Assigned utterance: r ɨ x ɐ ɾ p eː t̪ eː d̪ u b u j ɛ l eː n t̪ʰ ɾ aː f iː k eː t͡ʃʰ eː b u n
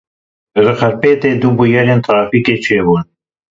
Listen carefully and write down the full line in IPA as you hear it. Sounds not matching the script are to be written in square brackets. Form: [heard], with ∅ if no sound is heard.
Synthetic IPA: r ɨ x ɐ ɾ p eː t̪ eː d̪ u b u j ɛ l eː n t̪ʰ ɾ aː f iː k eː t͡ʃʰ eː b u n